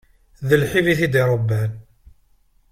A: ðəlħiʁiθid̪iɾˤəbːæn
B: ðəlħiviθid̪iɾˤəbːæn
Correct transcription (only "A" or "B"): B